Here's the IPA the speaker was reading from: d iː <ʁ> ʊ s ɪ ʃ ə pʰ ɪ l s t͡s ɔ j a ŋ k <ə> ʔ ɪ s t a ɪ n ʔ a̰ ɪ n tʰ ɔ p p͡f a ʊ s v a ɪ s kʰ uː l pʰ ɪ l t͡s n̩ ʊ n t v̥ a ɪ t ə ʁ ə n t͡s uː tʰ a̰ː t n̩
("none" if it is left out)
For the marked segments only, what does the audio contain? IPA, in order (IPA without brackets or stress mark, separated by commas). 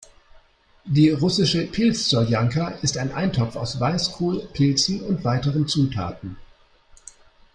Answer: ʁ, a